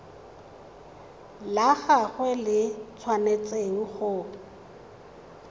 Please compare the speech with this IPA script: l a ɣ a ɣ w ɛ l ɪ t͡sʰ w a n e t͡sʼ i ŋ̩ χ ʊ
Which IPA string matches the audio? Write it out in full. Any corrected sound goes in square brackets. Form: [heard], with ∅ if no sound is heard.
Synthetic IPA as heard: l a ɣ a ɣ w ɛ l ɪ t͡sʰ w a n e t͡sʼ [e] ŋ̩ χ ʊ